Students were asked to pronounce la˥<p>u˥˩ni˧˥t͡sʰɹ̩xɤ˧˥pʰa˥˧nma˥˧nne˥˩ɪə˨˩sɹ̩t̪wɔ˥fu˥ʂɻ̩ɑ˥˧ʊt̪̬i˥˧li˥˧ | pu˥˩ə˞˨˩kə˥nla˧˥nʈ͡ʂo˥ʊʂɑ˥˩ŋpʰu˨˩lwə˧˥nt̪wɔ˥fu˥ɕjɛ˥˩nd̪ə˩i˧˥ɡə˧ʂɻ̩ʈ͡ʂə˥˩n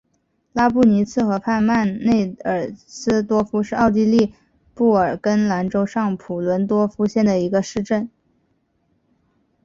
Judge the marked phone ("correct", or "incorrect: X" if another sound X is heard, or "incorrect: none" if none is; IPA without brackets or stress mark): correct